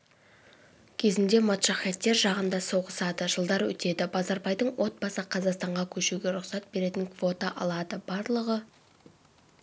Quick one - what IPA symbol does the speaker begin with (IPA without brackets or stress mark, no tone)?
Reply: kʲʰ